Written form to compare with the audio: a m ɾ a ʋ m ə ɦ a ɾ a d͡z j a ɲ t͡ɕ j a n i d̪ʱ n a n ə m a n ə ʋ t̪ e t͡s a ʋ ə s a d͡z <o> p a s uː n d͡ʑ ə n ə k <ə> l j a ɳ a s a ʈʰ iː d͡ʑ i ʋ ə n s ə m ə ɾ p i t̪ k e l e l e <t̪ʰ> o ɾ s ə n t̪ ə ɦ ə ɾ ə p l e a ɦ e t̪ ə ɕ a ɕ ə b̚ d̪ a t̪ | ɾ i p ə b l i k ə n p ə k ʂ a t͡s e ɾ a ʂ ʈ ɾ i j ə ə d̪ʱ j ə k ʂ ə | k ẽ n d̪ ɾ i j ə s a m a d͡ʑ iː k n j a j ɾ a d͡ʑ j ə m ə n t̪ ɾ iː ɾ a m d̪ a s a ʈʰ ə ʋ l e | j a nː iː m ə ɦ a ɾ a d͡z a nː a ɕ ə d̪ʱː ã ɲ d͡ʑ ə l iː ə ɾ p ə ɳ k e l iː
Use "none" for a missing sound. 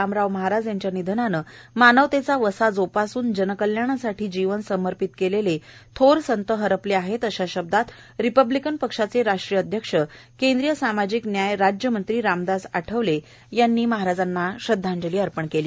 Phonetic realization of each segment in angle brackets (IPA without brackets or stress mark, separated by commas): o, ə, t̪ʰ